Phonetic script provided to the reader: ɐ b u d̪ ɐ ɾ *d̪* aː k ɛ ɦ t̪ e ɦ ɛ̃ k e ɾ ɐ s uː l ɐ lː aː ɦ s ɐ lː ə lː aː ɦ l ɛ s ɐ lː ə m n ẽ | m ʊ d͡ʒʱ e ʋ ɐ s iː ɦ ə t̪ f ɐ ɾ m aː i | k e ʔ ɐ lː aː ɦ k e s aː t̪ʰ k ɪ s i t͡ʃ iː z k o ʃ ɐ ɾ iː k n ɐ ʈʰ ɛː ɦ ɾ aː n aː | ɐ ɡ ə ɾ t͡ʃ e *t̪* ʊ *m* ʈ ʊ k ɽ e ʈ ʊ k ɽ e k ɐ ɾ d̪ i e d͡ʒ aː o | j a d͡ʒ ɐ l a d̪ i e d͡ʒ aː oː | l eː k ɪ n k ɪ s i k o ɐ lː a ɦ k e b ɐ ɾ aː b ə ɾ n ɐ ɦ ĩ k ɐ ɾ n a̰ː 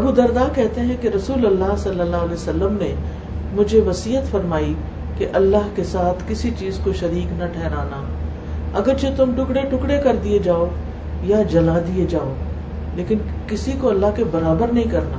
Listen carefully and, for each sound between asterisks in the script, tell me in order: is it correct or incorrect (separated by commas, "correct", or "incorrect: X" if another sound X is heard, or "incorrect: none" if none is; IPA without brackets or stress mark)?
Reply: correct, correct, correct